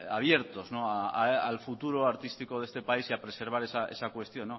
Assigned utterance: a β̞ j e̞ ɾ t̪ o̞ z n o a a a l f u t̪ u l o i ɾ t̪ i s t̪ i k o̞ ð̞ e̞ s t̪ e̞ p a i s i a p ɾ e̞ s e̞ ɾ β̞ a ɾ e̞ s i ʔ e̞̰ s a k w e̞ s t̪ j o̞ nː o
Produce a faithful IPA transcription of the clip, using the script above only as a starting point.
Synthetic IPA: a β̞ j e̞ ɾ t̪ o̞ z n o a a a l f u t̪ u ɾ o a ɾ t̪ i s t̪ i k o̞ ð̞ e̞ s t̪ e̞ p a i s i a p ɾ e̞ s e̞ ɾ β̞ a ɾ e̞ s a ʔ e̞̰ s a k w e̞ s t̪ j o̞ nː o